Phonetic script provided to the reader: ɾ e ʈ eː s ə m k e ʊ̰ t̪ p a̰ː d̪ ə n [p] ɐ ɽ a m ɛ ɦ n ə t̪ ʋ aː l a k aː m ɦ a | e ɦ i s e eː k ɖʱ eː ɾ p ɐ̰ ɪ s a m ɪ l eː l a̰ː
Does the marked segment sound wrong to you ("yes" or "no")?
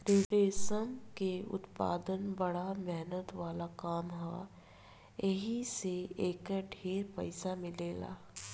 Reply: yes